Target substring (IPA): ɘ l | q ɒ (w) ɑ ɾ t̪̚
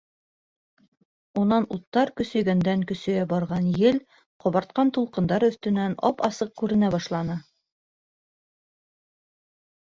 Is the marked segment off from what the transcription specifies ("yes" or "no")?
yes